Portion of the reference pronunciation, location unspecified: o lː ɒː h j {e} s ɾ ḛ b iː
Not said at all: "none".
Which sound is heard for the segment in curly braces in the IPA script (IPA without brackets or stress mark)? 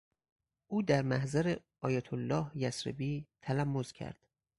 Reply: æ